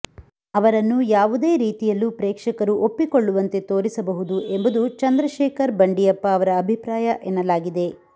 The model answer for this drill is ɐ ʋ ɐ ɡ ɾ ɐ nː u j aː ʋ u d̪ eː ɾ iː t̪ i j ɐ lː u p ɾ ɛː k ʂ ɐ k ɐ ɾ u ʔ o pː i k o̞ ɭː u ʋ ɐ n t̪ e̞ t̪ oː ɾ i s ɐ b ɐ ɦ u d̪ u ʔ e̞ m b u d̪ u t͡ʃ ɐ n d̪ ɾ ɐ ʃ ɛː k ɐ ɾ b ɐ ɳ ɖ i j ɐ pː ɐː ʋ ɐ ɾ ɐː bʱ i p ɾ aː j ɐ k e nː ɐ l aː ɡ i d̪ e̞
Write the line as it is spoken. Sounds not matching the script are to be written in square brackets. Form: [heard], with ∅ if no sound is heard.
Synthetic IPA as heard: ɐ ʋ ɐ [∅] ɾ ɐ nː u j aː ʋ u d̪ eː ɾ iː t̪ i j ɐ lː u p ɾ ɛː k ʂ ɐ k ɐ ɾ u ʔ o pː i k o̞ ɭː u ʋ ɐ n t̪ e̞ t̪ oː ɾ i s ɐ b ɐ ɦ u d̪ u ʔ e̞ m b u d̪ u t͡ʃ ɐ n d̪ ɾ ɐ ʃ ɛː k ɐ ɾ b ɐ ɳ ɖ i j ɐ pː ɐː ʋ ɐ ɾ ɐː bʱ i p ɾ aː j ɐ [ʔ] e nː ɐ l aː ɡ i d̪ e̞

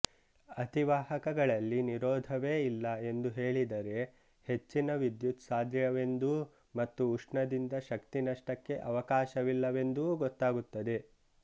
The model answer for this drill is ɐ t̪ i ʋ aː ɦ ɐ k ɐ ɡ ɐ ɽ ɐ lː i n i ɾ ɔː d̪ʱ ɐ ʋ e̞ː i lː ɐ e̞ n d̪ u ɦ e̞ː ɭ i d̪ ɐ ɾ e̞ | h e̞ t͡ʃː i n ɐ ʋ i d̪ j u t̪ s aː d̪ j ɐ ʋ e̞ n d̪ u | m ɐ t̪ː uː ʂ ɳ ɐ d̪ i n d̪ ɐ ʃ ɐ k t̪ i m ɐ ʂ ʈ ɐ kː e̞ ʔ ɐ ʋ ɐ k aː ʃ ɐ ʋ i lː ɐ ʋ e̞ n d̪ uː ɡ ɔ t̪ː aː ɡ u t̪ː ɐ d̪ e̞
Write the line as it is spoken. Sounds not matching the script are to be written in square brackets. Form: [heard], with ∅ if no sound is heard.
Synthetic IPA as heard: ɐ t̪ i ʋ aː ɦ ɐ k ɐ ɡ ɐ [ɭ] ɐ lː i n i ɾ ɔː d̪ʱ ɐ ʋ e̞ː i lː ɐ e̞ n d̪ u ɦ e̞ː ɭ i d̪ ɐ ɾ e̞ | h e̞ t͡ʃː i n ɐ ʋ i d̪ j u t̪ s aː d̪ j ɐ ʋ e̞ n d̪ u | m ɐ t̪ː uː ʂ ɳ ɐ d̪ i n d̪ ɐ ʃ ɐ k t̪ i [n] ɐ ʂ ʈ ɐ kː e̞ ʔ ɐ ʋ ɐ k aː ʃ ɐ ʋ i lː ɐ ʋ e̞ n d̪ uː ɡ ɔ t̪ː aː ɡ u t̪ː ɐ d̪ e̞

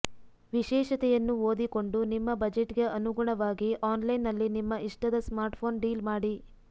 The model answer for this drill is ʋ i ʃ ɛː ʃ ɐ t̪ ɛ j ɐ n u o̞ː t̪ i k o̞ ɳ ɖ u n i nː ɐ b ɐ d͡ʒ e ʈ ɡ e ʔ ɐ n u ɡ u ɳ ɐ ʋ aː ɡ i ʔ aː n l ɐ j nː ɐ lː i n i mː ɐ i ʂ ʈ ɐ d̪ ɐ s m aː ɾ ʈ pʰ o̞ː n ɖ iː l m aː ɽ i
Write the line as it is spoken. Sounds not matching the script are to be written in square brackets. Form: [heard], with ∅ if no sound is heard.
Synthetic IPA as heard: ʋ i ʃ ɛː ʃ ɐ t̪ ɛ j ɐ [nː] u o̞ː [d̪] i k o̞ ɳ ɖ u n i [mː] ɐ b ɐ d͡ʒ e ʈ ɡ e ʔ ɐ n u ɡ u ɳ ɐ ʋ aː ɡ i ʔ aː n l ɐ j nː ɐ lː i n i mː ɐ i ʂ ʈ ɐ d̪ ɐ s m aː ɾ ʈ pʰ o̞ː n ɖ iː l m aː ɽ i

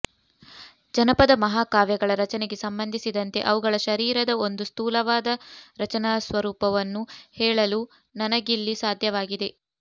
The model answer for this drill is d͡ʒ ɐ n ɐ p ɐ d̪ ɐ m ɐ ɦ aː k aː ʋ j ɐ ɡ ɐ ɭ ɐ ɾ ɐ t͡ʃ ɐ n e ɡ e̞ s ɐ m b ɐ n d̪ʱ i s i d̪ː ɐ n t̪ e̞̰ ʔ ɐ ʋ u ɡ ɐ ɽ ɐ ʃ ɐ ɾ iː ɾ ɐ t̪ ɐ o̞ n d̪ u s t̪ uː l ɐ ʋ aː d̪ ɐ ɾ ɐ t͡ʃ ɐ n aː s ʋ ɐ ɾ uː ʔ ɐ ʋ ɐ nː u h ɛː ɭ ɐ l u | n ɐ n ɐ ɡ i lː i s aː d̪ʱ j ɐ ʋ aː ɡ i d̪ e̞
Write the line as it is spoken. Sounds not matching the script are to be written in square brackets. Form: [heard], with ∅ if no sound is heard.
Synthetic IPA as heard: d͡ʒ ɐ n ɐ p ɐ d̪ ɐ m ɐ ɦ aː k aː ʋ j ɐ ɡ ɐ ɭ ɐ ɾ ɐ t͡ʃ ɐ n e ɡ e̞ s ɐ m b ɐ n d̪ʱ i s i [d̪] ɐ n t̪ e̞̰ ʔ ɐ ʋ u ɡ ɐ [ɭ] ɐ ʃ ɐ ɾ iː ɾ ɐ [d̪] ɐ o̞ n d̪ u s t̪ uː l ɐ ʋ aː d̪ ɐ ɾ ɐ t͡ʃ ɐ n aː s ʋ ɐ ɾ uː [p] ɐ ʋ ɐ nː u h ɛː ɭ ɐ l u | n ɐ n ɐ ɡ i lː i s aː d̪ʱ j ɐ ʋ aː ɡ i d̪ e̞

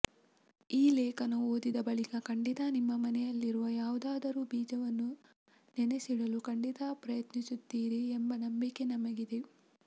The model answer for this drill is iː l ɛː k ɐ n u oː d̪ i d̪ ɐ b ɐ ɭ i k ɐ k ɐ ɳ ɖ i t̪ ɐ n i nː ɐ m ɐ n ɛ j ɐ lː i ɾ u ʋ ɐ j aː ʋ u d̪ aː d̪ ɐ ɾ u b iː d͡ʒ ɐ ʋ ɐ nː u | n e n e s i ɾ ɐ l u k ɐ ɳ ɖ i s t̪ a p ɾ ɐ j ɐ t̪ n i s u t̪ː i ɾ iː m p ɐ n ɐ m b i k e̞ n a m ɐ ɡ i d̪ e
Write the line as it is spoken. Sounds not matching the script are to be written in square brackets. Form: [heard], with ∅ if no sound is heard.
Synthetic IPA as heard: iː l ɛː k ɐ n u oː d̪ i d̪ ɐ b ɐ ɭ i k ɐ k ɐ ɳ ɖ i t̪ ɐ n i [mː] ɐ m ɐ n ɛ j ɐ lː i ɾ u ʋ ɐ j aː ʋ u d̪ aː d̪ ɐ ɾ u b iː d͡ʒ ɐ ʋ ɐ nː u | n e n e s i [ɽ] ɐ l u k ɐ ɳ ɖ i [∅] t̪ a p ɾ ɐ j ɐ t̪ n i s u t̪ː [iː] ɾ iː m [b] ɐ n ɐ m b i k e̞ n [ɐ] m ɐ ɡ i d̪ e

